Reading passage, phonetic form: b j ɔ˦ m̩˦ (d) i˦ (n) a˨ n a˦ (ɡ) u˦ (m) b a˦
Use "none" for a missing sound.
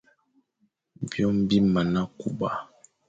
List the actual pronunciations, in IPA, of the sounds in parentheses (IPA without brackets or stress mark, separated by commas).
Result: b, m, k, none